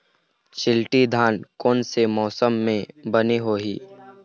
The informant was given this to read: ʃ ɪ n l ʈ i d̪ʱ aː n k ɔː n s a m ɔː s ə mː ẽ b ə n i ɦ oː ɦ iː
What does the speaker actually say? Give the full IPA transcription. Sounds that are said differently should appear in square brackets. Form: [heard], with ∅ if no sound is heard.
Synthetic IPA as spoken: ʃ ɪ [∅] l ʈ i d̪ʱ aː n k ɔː n s [e] m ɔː s ə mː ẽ b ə n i ɦ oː ɦ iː